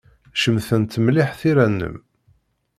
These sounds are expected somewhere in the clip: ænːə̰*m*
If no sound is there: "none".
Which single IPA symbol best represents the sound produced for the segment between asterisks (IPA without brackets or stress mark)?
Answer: m